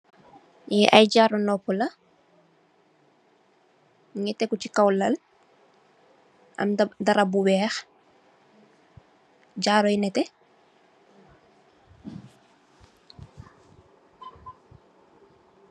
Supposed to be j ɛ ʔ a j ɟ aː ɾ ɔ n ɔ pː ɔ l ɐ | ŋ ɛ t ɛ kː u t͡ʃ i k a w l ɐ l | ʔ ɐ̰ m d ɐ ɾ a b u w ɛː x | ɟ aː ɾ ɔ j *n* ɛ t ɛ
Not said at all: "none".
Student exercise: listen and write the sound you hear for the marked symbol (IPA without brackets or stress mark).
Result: n